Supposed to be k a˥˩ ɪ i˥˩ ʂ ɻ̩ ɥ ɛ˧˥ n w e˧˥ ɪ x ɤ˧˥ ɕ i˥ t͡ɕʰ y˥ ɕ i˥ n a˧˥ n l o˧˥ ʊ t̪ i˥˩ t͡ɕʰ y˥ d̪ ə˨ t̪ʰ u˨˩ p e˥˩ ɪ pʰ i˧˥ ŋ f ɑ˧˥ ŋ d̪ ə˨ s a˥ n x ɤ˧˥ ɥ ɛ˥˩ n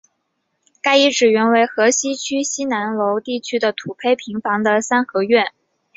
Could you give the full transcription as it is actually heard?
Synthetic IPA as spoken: k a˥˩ ɪ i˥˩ ʈ͡ʂ ɻ̩ ɥ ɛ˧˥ n w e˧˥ ɪ x ɤ˧˥ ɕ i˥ t͡ɕʰ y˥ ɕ i˥ n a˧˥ n l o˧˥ ʊ t̪ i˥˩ t͡ɕʰ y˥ d̪ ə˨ t̪ʰ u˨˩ pʰ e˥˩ ɪ pʰ i˧˥ ŋ f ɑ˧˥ ŋ d̪ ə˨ s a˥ n x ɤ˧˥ ɥ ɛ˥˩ n